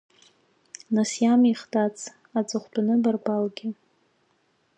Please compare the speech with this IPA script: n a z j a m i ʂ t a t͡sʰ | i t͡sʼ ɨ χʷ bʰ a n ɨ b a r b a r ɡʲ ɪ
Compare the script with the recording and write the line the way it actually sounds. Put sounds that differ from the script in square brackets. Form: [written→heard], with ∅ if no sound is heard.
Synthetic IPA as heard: n a [z→s] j a m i [ʂ→χ] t a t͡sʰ | [i→a] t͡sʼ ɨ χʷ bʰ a n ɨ b a r b a [r→l] ɡʲ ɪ